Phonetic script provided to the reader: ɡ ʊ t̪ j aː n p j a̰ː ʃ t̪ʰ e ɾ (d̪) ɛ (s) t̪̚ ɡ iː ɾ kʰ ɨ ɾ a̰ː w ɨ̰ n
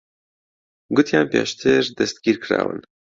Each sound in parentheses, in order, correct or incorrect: correct, correct

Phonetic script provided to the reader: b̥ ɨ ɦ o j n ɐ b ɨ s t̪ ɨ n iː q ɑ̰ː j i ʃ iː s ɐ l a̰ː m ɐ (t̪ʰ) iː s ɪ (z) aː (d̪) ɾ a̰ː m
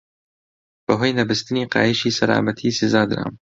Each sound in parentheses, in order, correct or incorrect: correct, correct, correct

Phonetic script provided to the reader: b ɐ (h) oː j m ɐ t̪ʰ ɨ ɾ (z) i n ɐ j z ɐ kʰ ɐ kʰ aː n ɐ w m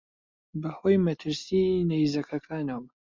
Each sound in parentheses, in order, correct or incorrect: correct, incorrect

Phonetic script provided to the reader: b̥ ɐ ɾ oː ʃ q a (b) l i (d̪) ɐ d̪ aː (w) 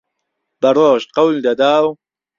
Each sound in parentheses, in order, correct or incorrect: incorrect, correct, correct

